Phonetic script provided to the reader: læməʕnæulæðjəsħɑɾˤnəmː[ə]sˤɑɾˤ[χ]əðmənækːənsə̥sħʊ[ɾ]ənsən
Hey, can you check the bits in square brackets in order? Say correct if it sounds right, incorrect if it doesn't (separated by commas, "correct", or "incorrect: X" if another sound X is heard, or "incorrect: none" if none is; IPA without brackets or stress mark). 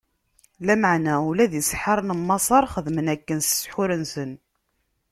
incorrect: ɑ, correct, correct